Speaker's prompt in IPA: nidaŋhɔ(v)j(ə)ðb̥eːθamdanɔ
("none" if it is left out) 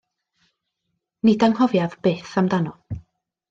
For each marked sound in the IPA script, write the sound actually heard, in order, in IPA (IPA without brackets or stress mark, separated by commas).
v, a